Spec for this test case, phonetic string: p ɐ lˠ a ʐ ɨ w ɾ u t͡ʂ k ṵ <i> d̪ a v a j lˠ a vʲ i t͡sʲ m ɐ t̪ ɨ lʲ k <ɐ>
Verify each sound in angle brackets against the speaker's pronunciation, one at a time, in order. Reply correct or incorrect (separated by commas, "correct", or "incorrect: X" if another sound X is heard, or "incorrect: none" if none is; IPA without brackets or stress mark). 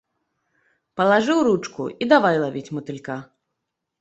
correct, incorrect: a